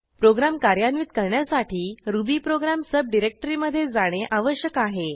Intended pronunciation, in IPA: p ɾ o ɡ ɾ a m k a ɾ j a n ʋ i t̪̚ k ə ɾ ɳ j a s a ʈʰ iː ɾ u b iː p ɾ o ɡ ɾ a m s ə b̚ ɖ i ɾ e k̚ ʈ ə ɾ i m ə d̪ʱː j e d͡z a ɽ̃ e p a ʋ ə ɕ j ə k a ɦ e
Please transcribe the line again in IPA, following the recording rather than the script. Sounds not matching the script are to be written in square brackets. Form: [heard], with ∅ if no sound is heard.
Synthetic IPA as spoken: p ɾ o ɡ ɾ a m k a ɾ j a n ʋ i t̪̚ k ə ɾ ɳ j a s a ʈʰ iː ɾ u b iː p ɾ o ɡ ɾ a m s ə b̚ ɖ i ɾ e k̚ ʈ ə ɾ i m ə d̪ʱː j e d͡z a ɽ̃ e [ʔ] a ʋ ə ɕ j ə k a ɦ e